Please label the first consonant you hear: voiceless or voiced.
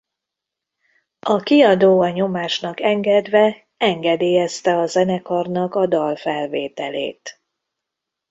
voiceless